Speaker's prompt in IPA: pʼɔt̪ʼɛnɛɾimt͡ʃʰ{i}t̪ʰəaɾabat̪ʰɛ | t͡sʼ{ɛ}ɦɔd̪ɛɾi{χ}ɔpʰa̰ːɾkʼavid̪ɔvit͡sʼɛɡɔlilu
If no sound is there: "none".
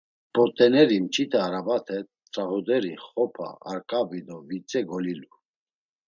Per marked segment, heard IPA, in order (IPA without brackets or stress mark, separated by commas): i, a, χ